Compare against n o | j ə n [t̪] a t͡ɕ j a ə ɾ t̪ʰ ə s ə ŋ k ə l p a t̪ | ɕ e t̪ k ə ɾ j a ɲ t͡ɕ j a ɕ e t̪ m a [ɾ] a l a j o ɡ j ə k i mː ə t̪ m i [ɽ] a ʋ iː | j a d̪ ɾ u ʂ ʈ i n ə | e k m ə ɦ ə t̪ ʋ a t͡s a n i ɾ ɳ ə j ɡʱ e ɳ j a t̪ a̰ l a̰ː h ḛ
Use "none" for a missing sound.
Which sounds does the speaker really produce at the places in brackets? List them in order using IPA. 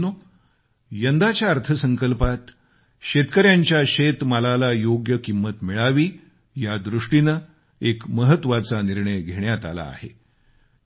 d̪, l, ɭ

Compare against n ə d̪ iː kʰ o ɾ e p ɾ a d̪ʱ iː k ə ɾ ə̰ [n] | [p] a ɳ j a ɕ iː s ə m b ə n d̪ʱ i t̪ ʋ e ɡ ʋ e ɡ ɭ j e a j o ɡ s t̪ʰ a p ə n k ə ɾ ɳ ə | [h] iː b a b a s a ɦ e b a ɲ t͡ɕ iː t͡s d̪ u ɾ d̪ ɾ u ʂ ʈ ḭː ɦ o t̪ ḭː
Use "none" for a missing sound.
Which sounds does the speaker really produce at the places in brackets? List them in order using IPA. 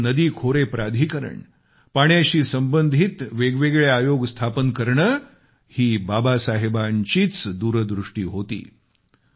ɳ, p, h

